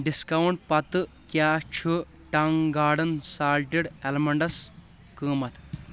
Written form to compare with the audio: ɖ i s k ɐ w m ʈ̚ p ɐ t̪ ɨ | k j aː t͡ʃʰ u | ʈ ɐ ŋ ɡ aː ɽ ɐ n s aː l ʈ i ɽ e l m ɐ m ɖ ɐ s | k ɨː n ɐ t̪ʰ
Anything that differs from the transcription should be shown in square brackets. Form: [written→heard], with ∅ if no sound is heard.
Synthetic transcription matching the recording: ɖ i s k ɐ w [m→ɳ] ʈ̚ p ɐ t̪ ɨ | k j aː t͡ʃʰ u | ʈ ɐ ŋ ɡ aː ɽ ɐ n s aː l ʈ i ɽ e l m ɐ [m→ɳ] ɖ ɐ s | k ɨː [n→m] ɐ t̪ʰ